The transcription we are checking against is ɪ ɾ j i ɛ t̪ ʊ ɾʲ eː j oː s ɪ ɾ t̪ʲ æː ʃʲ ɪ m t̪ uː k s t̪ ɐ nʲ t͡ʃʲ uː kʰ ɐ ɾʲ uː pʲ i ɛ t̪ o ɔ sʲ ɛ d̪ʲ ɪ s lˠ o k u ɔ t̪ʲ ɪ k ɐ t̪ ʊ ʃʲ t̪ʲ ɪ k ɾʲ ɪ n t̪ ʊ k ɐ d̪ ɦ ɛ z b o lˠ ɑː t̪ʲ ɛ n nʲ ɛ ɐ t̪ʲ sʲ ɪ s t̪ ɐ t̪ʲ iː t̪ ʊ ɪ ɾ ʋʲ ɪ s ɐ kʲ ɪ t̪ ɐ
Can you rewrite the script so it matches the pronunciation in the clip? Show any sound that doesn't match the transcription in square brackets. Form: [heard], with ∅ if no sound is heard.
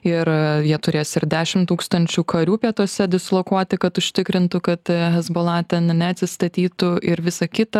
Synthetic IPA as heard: ɪ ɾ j i ɛ t̪ ʊ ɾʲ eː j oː s ɪ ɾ [d̪ʲ] æː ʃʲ ɪ m t̪ uː k s t̪ ɐ nʲ t͡ʃʲ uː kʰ ɐ ɾʲ uː pʲ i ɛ t̪ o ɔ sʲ ɛ d̪ʲ ɪ s lˠ o k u ɔ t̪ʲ ɪ k ɐ t̪ ʊ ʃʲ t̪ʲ ɪ k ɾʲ ɪ n t̪ ʊ k ɐ [t̪] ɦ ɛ z b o lˠ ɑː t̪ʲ ɛ n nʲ ɛ ɐ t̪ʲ sʲ ɪ s t̪ ɐ t̪ʲ iː t̪ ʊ ɪ ɾ ʋʲ ɪ s ɐ kʲ ɪ t̪ ɐ

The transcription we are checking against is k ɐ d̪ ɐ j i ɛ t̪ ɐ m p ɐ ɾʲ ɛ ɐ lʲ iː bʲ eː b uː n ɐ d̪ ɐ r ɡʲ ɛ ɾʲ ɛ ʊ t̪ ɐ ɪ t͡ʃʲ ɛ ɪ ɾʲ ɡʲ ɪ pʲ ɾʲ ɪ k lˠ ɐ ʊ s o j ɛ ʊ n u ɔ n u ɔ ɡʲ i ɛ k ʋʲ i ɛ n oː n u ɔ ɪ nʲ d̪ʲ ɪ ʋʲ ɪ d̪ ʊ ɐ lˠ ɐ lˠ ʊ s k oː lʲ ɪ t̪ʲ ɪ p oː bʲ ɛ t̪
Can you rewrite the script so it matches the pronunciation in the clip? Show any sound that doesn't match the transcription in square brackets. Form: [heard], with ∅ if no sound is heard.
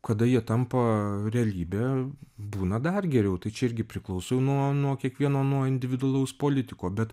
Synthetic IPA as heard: k ɐ d̪ ɐ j i ɛ t̪ ɐ m p ɐ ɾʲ ɛ ɐ lʲ iː bʲ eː b uː n ɐ d̪ ɐ r ɡʲ ɛ ɾʲ ɛ ʊ t̪ ɐ ɪ t͡ʃʲ ɛ ɪ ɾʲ ɡʲ ɪ pʲ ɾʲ ɪ k lˠ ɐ ʊ s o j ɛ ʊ n u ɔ n u ɔ [kʲ] i ɛ k ʋʲ i ɛ n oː n u ɔ ɪ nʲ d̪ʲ ɪ ʋʲ ɪ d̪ ʊ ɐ lˠ ɐ [∅] ʊ s [p] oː lʲ ɪ t̪ʲ ɪ [k] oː bʲ ɛ t̪

